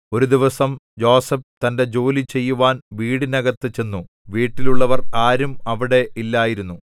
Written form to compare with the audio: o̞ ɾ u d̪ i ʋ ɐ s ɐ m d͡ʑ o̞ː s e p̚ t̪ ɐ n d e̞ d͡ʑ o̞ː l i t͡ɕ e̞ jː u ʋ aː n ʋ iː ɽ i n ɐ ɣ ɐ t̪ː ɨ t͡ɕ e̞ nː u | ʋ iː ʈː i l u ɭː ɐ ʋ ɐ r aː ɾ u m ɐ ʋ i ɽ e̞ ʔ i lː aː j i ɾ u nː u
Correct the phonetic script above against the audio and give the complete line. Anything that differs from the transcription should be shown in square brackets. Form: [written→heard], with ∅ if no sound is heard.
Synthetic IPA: o̞ ɾ u d̪ i ʋ ɐ s ɐ m d͡ʑ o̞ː s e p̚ t̪ ɐ n d e̞ d͡ʑ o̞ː l i t͡ɕ e̞ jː u ʋ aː n ʋ iː ɽ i n ɐ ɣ ɐ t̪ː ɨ t͡ɕ e̞ nː u | ʋ iː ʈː i l u ɭː ɐ ʋ ɐ r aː ɾ u m ɐ ʋ i ɽ e̞ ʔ i lː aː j i ɾ u nː u